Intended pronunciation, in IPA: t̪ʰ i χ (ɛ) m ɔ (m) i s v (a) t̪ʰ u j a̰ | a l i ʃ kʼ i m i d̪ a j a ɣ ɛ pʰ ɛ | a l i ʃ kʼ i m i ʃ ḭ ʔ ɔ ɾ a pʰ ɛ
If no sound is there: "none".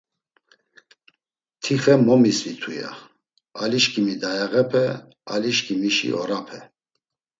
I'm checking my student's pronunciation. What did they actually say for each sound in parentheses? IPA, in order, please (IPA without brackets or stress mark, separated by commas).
ɛ, m, i